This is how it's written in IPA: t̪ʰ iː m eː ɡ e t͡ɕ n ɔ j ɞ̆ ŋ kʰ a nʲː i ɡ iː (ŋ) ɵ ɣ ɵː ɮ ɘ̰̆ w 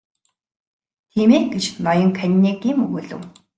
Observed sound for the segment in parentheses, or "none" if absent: m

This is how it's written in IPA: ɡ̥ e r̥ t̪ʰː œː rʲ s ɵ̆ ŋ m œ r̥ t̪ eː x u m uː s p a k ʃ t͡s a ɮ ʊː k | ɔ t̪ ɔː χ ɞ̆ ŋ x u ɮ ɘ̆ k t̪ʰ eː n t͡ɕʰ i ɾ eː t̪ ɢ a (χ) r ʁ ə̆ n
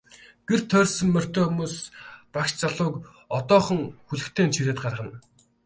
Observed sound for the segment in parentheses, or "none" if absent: none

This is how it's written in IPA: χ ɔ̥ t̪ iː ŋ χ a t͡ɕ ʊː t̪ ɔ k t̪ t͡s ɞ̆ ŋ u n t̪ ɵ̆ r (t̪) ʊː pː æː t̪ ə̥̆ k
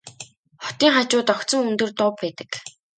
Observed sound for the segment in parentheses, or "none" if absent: t̪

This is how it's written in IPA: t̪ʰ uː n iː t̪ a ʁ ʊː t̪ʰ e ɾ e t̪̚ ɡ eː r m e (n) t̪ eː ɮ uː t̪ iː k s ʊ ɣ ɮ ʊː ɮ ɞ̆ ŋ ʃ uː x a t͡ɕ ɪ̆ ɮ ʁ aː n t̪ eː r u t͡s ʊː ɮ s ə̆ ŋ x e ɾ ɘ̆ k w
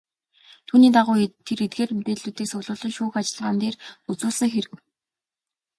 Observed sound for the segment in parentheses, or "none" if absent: none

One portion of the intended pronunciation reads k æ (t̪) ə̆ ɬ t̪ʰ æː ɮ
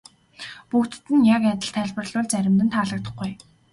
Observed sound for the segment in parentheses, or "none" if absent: t̪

